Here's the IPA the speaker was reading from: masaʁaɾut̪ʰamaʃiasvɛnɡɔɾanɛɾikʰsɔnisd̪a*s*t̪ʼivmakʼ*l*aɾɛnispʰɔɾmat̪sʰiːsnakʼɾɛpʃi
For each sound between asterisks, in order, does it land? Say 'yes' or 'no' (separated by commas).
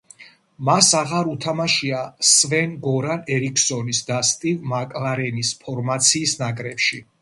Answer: yes, yes